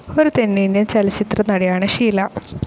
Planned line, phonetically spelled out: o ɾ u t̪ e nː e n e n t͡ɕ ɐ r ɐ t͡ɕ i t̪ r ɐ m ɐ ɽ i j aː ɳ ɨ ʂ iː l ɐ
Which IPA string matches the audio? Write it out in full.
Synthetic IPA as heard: o ɾ u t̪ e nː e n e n t͡ɕ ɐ l ɐ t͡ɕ i t̪ r ɐ n ɐ ɽ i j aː ɳ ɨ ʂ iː l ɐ